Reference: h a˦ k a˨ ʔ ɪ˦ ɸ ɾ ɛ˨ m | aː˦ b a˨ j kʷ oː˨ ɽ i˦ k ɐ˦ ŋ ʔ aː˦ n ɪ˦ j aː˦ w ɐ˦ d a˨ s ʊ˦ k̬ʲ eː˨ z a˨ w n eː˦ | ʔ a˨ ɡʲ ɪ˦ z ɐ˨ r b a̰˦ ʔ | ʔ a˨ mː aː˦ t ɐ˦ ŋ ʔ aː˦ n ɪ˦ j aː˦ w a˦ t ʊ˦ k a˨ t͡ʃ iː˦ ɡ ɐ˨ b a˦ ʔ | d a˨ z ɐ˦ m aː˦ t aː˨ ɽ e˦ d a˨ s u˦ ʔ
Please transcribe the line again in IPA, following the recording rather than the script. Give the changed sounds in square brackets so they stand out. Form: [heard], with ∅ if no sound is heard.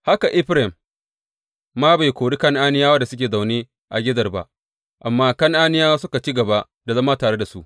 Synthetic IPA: h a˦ k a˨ ʔ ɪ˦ ɸ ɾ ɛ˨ m | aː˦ b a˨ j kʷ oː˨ ɽ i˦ k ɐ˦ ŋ ʔ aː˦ n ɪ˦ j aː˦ w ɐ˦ d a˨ s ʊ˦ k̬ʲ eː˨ z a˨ w n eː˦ | ʔ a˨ ɡʲ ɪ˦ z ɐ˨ r b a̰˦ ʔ | ʔ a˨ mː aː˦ [k] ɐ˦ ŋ ʔ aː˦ n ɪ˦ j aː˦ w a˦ [s] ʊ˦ k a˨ t͡ʃ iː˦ ɡ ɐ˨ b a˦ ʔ | d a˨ z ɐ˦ m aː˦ t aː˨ ɽ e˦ d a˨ s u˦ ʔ